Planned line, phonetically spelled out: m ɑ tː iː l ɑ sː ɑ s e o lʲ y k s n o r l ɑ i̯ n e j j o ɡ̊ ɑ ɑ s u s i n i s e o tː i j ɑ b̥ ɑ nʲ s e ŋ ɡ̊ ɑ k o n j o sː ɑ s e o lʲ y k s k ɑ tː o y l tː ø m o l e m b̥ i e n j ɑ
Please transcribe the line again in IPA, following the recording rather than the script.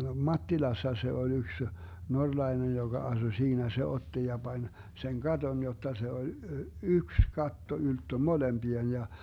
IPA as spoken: m ɑ tː i l ɑ sː ɑ s e o lʲ y k s n o r l ɑ i̯ n e j j o ɡ̊ ɑ ɑ s u s iː n æ s e o tː i j ɑ b̥ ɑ nʲ s e ŋ ɡ̊ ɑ t o n j o tː ɑ s e o lʲ y k s k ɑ tː o y l tː ø m o l e m b̥ i e n j ɑ

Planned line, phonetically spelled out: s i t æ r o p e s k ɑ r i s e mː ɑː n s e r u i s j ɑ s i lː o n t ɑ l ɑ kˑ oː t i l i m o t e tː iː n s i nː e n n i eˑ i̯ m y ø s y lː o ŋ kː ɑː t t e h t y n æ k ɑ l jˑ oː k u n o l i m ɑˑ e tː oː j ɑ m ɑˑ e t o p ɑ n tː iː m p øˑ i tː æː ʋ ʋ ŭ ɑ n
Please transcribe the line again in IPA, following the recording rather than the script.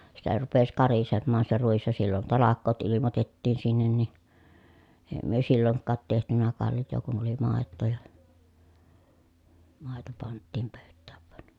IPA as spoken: s i t æ r u p e s k ɑ r i s e mː ɑː n s e r u i s j ɑ s i lː o n t ɑ l ɑ kˑ oː t i l i m o t e tː iː n s i nː e n n i eˑ i̯ m y ø s i lː o ŋ kː ɑː t t e h t y n æ k ɑ l jˑ oː k u n o l i m ɑˑ e tː oː j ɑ m ɑˑ e t o p ɑ n tː iː m p øˑ y tː æː ʋ ʋ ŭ ɑ n

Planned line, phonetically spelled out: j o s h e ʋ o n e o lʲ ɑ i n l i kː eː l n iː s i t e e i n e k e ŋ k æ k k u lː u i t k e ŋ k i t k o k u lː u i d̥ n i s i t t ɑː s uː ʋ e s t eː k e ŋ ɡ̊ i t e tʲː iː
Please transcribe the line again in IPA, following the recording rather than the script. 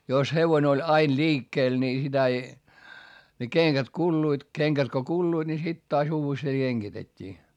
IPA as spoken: j o s h e ʋ o n e o lʲ ɑ i n l iː kː eː l n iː s i t æ e i n e k e ŋ k æ t k u lː u i t k e ŋ k æ t k o k u lː u i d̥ n i s i t t ɑː s uː ʋ e s t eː k e ŋ ɡ̊ i t e tʲː iː

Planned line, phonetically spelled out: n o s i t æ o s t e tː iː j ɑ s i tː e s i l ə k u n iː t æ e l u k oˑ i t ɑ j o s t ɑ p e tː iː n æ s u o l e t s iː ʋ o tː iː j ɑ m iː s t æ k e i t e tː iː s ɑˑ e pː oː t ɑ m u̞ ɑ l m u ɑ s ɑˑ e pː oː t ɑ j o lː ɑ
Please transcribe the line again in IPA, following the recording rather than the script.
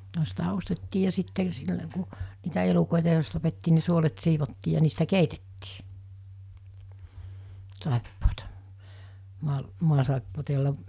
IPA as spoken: n o s i t æ o s t e tː iː j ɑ s i tː e s i lː ə k u n iː t æ e l u k oˑ i t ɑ j o s t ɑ p e tː iː n i s u o l e t s iː ʋ o tː iː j ɑ n iː s t æ k e i t e tː iː s ɑˑ e pː oː t ɑ m u̞ ɑ l m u ɑ s ɑˑ e pː oː t ɑ j o lː ɑ

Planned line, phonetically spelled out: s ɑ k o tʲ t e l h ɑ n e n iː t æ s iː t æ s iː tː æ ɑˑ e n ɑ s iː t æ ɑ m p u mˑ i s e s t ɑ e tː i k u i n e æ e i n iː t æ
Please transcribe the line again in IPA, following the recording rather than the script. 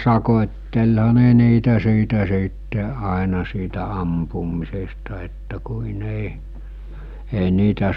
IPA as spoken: s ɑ k o tʲ t e l h ɑ n e n iː t æ s iː t æ s iː tː e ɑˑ e n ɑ s iː t æ ɑ m p u mˑ i s e s t ɑ e tː æ k u i n e i e i n iː t æ

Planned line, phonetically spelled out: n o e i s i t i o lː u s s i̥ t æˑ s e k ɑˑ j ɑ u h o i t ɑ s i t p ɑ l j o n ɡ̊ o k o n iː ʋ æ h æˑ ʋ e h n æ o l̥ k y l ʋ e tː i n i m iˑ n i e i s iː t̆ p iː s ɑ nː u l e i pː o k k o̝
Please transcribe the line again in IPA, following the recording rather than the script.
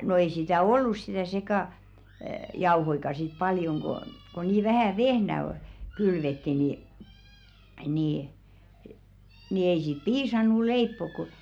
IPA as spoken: n o e i s i t æ o lː u s s i̥ t æˑ s e k ɑˑ j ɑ u h o i k ɑ s i t p ɑ l j o ŋ ɡ̊ o k o n iː ʋ æ h æˑ ʋ e h n æ o l̥ k y l ʋ e tː i n i n iˑ n i e i s iː t̆ p iː s ɑ nː u l e i pː o k k o̝

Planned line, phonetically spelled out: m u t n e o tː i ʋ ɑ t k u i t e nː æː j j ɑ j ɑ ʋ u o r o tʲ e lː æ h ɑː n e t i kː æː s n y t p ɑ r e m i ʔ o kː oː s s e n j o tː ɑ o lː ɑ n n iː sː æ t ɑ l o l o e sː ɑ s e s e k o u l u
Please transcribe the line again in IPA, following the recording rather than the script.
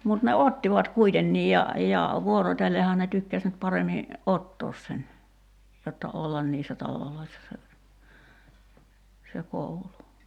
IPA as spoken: m u t n e o tː i ʋ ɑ t k u i t e nː iː j j ɑ j ɑ ʋ u o r o tʲ e lː e h ɑː n e t y kː æ s n y t p ɑ r e m i ʔ o tː oː s s e n j o tː ɑ o lː ɑ n n iː sː æ t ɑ l o l o i sː ɑ s e s e k o u l u

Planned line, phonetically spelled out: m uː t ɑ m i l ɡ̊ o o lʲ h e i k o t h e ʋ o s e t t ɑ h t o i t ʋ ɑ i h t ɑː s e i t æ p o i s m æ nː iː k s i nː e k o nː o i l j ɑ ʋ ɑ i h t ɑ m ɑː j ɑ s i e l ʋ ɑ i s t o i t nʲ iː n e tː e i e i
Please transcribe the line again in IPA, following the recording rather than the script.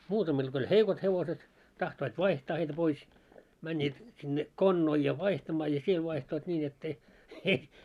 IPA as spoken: m uː t ɑ m i l ɡ̊ o o lʲ h e i k o t h e ʋ o s e t t ɑ h t o i t ʋ ɑ i h t ɑː h e i t æ p o i s m æ nː iː t s i nː e k o nː o i l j ɑ ʋ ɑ i h t ɑ m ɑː j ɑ s i e l ʋ ɑ i h t o i t nʲ iː n e tː e i e i

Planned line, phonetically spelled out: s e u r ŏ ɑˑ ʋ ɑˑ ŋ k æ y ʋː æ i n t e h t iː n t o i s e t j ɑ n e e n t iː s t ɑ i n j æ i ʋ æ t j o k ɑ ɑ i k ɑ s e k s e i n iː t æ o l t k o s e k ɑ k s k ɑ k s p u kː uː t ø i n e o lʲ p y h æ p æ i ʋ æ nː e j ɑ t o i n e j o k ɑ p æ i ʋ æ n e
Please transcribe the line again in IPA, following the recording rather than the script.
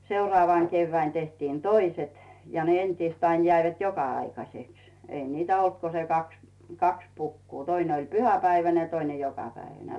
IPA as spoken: s e u r ŏ ɑˑ ʋ ɑˑ ŋ k e y ʋː æ i n t e h t iː n t o i s e t j ɑ n e e n t iː s t ɑ i n j æ i ʋ æ t j o k ɑ ɑ i k ɑ s e k s e i n iː t æ o l t k o s e k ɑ k s k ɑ k s p u kː uː t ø i n e o lʲ p y h æ p æ i ʋ æ n e j ɑ t o i n e j o k ɑ p æ i ʋ æ n e

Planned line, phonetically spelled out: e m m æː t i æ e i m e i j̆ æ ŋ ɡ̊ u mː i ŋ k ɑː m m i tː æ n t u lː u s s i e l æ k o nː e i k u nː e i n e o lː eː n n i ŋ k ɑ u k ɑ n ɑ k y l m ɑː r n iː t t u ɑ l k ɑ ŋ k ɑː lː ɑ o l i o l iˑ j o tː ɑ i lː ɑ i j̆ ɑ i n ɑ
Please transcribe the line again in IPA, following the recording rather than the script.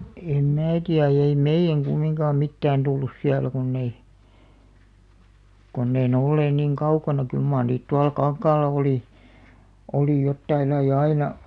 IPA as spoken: e m m æː t i æ e i m e i j̆ æ ŋ ɡ̊ u mː i ŋ k ɑː m m i tː æː n t u lː u s s i æ l æ k u nː e i k u nː e i n e o lː eː n n i ŋ k ɑ u k ɑ n ɑ k y l m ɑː r n iː t t u ɑ l k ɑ ŋ k ɑː lː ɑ o l i o l iˑ j o tː ɑ i lː ɑ i j̆ ɑ i n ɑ

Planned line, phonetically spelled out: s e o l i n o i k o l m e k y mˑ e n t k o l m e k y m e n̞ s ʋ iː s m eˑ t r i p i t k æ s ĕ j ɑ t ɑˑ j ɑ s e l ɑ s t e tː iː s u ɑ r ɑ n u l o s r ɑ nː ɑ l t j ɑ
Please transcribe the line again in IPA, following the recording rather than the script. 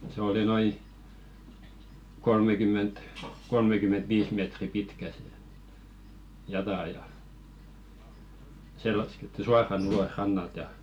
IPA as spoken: s e o l i n o i k o l m e k y mˑ e n t k o l m e k y m e n̞ t ʋ iː s m eˑ t r i p i t k æ s ĕ j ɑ t ɑˑ j ɑ s e l ɑ s k e tː i s u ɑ r ɑ n u l o s r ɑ nː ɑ l t j ɑ

